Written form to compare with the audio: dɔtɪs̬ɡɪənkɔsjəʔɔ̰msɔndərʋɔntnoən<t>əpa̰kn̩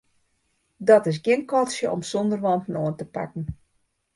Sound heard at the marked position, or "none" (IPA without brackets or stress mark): t